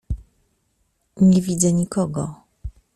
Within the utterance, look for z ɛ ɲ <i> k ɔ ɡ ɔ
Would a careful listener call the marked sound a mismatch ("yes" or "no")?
no